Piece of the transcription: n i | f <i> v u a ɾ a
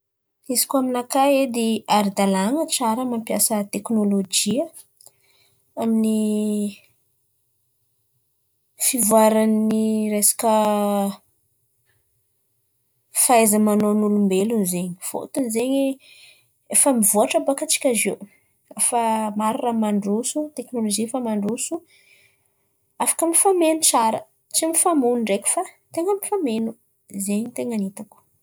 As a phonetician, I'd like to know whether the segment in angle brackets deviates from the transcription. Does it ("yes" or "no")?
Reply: no